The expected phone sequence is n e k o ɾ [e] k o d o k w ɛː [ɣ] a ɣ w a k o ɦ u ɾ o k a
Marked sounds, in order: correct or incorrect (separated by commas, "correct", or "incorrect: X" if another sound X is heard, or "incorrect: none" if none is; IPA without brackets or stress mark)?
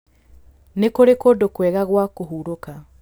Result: correct, correct